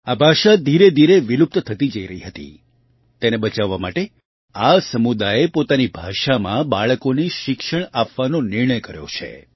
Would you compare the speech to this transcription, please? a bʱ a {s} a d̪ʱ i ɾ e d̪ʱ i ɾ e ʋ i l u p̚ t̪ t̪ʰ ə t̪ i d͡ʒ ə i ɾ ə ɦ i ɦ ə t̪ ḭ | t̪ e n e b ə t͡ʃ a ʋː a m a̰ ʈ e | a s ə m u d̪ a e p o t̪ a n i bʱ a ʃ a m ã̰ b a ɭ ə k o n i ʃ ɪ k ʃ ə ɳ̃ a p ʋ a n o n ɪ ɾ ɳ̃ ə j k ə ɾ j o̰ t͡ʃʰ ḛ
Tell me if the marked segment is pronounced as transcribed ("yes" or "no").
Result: no